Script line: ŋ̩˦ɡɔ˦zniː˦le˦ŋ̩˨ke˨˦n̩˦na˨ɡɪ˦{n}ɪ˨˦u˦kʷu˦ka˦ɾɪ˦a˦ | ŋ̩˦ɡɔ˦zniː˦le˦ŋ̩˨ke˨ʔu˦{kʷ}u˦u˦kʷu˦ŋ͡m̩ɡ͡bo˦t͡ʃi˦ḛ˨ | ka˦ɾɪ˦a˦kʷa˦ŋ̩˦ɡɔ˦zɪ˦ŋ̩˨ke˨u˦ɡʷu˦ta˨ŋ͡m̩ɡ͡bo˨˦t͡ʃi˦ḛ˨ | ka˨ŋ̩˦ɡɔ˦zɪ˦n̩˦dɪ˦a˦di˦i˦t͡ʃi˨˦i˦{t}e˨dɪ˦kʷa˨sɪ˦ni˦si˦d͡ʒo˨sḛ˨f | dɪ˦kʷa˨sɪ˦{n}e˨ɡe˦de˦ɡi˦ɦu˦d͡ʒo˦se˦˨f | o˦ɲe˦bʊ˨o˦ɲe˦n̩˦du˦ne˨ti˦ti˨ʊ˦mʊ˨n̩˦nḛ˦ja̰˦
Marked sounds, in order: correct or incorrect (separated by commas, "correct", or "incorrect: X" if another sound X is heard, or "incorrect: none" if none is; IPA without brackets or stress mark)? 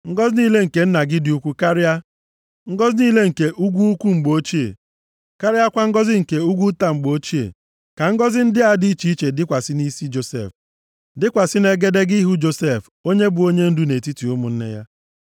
incorrect: d, incorrect: ɡʷ, incorrect: t͡ʃ, correct